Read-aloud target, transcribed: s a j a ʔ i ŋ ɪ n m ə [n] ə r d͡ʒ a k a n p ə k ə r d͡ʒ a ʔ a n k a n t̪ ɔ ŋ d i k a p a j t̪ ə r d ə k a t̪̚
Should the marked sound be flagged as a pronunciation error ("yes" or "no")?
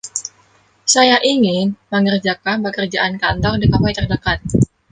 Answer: yes